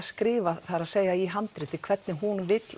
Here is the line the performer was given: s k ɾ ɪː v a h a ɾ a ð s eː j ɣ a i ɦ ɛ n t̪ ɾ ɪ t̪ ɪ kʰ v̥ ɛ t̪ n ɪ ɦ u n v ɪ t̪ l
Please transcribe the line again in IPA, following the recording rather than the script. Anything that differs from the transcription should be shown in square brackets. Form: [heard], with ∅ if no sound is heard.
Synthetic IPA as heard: s k ɾ ɪː v a [θ] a ɾ a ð s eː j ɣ a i ɦ [a] n t̪ ɾ ɪ t̪ ɪ kʰ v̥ ɛ t̪ n ɪ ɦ u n v ɪ t̪ l